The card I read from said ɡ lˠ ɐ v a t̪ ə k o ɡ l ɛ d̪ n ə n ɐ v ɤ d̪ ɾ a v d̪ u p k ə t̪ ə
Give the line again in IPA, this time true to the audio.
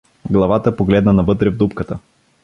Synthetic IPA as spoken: ɡ lˠ ɐ v a t̪ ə p o ɡ l ɛ d̪ n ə n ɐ v ɤ t̪ ɾ ɛ v d̪ u p k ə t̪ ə